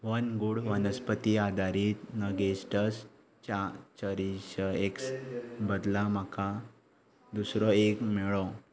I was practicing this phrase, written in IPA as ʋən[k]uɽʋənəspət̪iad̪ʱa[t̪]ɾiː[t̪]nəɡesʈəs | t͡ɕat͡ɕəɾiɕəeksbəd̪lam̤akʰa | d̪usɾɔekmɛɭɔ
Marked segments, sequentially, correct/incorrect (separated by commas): incorrect, incorrect, correct